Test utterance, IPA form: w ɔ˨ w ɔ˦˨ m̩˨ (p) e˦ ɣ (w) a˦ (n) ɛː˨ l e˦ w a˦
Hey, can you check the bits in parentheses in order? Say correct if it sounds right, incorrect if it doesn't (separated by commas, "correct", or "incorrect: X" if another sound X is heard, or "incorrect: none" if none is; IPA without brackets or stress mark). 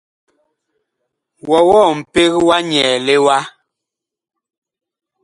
correct, correct, incorrect: ɲ